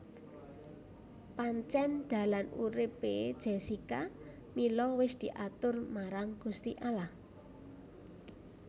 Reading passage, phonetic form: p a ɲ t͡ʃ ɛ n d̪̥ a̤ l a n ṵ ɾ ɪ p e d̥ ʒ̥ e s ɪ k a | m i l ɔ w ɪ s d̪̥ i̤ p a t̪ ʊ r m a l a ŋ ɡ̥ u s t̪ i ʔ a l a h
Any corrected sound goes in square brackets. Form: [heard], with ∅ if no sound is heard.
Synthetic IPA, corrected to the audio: p a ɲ t͡ʃ ɛ n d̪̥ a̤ l a n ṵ ɾ ɪ p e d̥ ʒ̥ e s [i] k a | m i l ɔ w ɪ s d̪̥ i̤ [ʔ] a t̪ ʊ r m a [ɾ] a ŋ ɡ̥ u s t̪ i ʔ a l a h